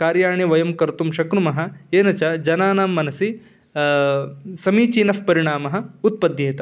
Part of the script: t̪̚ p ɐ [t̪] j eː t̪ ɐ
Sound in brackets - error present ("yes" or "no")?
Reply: yes